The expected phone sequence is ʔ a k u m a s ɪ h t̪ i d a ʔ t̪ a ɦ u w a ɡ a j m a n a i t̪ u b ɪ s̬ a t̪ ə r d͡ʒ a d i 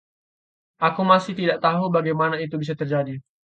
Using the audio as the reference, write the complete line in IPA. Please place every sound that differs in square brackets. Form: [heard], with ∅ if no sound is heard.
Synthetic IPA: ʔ a k u m a s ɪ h t̪ i d a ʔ t̪ a ɦ u [b] a ɡ a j m a n a i t̪ u b [i] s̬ a t̪ ə r d͡ʒ a d i